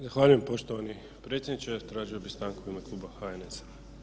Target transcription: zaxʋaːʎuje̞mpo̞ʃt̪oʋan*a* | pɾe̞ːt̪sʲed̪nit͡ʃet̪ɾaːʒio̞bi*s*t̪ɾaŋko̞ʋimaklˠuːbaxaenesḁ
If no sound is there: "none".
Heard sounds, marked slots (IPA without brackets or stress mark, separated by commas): i, s